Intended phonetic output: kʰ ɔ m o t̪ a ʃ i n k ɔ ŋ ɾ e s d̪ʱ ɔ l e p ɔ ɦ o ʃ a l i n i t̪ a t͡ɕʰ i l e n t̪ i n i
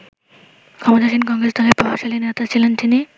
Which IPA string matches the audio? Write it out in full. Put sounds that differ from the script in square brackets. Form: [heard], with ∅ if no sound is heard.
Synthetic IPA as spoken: kʰ ɔ m o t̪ a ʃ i n k ɔ ŋ ɾ e s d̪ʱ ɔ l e p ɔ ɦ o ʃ a l i n [e] t̪ a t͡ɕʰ i l e n t̪ i n i